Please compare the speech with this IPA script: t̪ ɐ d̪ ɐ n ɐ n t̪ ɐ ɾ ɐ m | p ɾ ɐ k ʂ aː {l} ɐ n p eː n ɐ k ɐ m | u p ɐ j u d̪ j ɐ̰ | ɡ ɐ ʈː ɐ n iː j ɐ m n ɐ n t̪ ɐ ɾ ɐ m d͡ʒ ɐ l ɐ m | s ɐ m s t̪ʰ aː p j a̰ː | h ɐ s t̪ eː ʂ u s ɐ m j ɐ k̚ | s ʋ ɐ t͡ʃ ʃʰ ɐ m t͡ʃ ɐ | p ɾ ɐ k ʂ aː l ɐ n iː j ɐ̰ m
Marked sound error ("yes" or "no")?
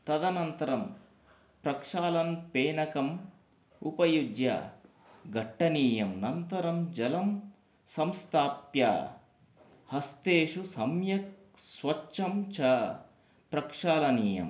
no